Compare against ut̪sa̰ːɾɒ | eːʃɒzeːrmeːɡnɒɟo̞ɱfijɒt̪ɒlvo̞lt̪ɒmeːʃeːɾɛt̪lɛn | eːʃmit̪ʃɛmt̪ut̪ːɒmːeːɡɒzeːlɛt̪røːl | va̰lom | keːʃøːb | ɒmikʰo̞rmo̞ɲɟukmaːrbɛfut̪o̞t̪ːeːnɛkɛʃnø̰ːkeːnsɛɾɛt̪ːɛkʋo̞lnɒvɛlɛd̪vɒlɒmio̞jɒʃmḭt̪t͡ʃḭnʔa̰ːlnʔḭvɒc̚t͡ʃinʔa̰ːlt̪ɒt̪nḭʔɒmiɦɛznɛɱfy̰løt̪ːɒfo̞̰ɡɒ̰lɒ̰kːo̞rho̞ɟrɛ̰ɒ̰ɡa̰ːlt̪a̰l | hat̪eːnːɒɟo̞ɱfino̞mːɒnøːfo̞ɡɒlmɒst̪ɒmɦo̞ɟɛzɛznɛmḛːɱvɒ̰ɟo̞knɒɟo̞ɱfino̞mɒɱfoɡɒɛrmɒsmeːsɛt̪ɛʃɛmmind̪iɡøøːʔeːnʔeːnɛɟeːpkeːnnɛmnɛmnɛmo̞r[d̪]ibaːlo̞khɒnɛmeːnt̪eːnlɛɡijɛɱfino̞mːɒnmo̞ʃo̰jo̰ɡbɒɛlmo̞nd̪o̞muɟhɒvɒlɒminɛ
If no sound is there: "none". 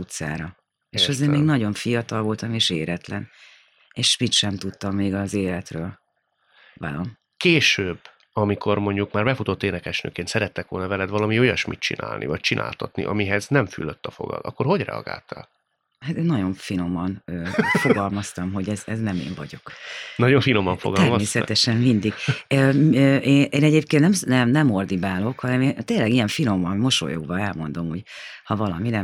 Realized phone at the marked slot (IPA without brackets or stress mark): d̪